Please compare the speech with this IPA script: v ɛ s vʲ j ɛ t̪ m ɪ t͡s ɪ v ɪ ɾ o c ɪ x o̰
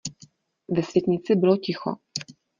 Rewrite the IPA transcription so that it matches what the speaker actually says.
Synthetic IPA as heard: v ɛ s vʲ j ɛ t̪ ɲ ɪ t͡s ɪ b ɪ l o c ɪ x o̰